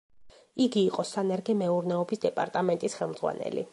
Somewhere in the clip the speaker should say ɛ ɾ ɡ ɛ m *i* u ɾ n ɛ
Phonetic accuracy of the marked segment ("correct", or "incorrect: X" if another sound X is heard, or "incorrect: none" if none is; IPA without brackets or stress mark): incorrect: ɛ